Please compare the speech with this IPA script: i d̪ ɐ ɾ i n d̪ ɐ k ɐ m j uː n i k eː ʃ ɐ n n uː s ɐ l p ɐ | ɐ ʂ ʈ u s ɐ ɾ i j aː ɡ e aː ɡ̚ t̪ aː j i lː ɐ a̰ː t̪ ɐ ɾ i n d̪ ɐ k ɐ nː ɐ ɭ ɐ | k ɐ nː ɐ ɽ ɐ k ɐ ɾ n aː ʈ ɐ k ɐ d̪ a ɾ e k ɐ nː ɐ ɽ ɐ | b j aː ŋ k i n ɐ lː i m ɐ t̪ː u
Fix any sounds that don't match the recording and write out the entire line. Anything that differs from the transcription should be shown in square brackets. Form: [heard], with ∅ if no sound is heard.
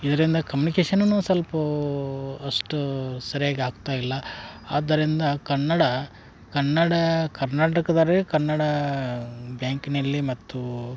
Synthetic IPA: i d̪ ɐ ɾ i n d̪ ɐ k ɐ m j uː n i k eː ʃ ɐ n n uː s ɐ l p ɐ | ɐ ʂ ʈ u s ɐ ɾ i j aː ɡ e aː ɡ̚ t̪ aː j i lː ɐ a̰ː [d̪] ɐ ɾ i n d̪ ɐ k ɐ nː ɐ [ɽ] ɐ | k ɐ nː ɐ ɽ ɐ k ɐ ɾ n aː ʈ ɐ k ɐ d̪ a ɾ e k ɐ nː ɐ ɽ ɐ | b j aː ŋ k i n ɐ lː i m ɐ t̪ː u